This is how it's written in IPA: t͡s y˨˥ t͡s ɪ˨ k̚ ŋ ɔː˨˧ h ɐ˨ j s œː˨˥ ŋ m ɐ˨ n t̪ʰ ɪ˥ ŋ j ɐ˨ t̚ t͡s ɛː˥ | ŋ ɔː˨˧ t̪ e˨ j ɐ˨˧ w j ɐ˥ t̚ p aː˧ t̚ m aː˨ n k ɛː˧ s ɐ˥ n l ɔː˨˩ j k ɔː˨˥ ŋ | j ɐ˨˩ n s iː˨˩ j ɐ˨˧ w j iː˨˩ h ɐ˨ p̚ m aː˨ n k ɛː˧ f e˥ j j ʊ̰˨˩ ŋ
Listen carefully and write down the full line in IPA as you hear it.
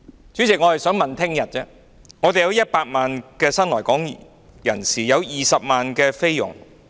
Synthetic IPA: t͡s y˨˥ t͡s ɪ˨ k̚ ŋ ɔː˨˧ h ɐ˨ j s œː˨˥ ŋ m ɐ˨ n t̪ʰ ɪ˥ ŋ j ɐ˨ t̚ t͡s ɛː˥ | ŋ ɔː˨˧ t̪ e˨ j ɐ˨˧ w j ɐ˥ t̚ p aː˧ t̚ m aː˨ n k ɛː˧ s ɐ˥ n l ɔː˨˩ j k ɔː˨˥ ŋ | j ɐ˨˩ n s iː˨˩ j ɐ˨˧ w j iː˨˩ s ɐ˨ p̚ m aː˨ n k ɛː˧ f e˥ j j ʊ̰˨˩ ŋ